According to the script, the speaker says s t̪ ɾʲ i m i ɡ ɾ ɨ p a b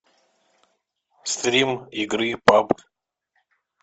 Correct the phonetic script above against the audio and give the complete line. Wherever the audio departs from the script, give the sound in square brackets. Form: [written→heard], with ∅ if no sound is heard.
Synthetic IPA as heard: s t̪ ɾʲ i m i ɡ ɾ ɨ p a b